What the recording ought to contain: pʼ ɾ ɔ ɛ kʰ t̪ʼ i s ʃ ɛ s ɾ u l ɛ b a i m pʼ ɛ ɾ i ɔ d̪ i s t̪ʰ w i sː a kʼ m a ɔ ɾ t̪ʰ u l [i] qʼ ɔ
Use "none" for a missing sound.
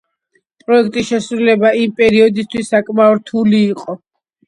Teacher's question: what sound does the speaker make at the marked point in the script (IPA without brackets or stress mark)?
iː